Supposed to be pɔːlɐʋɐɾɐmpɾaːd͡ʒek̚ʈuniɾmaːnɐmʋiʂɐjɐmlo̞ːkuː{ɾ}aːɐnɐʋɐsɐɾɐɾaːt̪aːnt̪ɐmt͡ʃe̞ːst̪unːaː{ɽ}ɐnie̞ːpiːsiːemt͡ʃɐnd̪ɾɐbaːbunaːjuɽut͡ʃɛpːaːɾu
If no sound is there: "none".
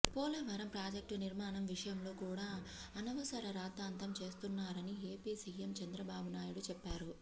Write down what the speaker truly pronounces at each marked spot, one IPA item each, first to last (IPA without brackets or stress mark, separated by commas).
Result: ɽ, ɾ